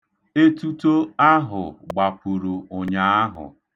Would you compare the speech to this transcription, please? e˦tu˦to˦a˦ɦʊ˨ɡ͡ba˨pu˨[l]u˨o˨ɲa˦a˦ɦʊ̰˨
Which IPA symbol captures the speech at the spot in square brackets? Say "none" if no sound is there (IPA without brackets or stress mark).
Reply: ɾ